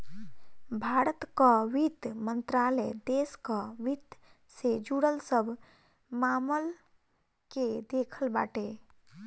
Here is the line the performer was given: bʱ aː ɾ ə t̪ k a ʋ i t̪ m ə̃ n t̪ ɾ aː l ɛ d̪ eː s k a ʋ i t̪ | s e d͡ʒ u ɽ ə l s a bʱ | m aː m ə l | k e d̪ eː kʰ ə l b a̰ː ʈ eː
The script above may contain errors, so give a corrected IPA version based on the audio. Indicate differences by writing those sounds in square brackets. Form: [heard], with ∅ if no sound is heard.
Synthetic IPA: bʱ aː ɾ ə t̪ k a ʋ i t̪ m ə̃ n t̪ ɾ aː l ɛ d̪ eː s k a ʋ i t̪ | s e d͡ʒ u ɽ ə l s [ə] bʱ | m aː m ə l | k e d̪ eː kʰ ə l b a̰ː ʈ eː